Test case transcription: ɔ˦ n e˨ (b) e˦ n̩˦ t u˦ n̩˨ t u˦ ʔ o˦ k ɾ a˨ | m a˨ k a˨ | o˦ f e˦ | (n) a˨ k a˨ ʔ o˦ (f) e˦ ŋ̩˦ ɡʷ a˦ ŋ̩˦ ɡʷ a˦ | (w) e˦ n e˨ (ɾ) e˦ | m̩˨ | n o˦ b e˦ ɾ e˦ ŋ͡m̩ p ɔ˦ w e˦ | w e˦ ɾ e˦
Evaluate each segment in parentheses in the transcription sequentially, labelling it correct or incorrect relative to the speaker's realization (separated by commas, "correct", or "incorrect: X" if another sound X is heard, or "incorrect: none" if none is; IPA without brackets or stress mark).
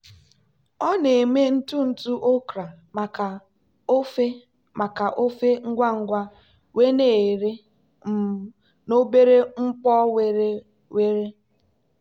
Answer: incorrect: m, incorrect: m, correct, correct, correct